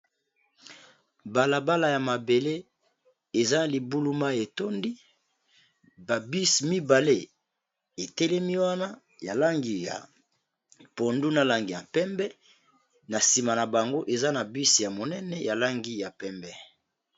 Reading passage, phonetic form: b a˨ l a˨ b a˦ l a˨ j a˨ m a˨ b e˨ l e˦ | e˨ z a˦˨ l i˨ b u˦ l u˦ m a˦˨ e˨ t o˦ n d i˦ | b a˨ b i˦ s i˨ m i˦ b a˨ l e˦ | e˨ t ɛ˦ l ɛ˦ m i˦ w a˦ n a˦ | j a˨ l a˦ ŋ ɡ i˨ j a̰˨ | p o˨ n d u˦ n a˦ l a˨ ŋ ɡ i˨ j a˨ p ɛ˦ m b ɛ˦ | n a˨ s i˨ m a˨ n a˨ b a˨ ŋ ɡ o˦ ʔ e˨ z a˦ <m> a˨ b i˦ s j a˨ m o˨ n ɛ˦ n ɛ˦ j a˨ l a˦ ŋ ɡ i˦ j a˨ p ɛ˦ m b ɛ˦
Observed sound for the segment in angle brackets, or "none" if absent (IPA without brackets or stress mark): n